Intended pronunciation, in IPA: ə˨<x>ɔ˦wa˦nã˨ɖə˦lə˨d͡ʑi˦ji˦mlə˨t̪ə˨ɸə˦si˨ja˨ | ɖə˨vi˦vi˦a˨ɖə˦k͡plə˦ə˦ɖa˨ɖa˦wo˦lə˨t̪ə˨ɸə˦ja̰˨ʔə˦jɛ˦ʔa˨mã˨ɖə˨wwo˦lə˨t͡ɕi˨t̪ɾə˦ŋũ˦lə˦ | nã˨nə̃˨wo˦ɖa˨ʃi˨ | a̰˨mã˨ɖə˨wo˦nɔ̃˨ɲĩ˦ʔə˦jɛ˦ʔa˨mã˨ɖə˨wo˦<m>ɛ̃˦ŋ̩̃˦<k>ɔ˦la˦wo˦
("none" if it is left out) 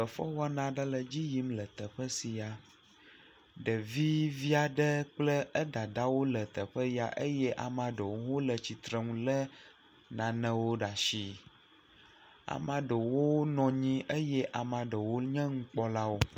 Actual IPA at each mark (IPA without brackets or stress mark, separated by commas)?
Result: f, ɲ, k͡p